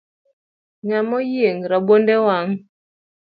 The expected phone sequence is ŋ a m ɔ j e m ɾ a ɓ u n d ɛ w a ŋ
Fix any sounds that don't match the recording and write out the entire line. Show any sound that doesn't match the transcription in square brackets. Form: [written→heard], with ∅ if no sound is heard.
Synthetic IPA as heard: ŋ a m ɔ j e [m→ŋ] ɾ a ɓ [u→o] n d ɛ w a ŋ